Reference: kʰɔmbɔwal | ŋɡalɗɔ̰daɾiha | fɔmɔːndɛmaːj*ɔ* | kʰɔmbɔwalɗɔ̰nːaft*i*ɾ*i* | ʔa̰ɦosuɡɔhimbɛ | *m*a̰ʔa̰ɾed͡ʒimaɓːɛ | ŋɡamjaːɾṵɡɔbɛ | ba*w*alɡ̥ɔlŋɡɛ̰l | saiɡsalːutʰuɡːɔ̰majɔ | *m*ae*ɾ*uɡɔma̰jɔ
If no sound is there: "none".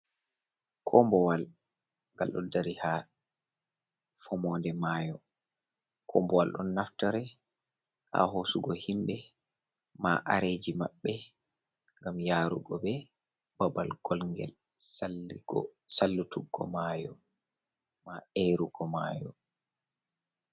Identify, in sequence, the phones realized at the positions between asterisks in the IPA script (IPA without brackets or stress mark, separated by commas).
ɔ, a, ɛ, m, b, m, ɾ